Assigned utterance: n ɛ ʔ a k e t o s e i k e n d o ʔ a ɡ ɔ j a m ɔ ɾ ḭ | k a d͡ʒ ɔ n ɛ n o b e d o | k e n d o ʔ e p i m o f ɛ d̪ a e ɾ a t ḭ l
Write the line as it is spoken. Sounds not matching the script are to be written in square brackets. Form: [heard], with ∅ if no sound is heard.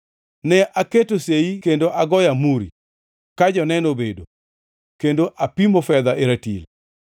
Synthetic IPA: n ɛ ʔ a k e t o s e i k e n d o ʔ a ɡ ɔ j a m [u] ɾ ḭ | k a d͡ʒ ɔ n ɛ n o b e d o | k e n d o ʔ [a] p i m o f ɛ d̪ a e ɾ a t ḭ l